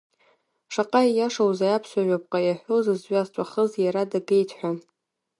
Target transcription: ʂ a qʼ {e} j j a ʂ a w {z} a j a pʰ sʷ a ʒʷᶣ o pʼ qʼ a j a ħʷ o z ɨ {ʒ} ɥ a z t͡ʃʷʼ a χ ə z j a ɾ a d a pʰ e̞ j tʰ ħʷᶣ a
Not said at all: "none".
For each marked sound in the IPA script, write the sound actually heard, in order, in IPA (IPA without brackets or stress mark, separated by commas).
a, z, z